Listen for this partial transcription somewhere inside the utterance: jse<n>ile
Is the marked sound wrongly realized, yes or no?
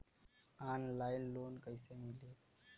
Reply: yes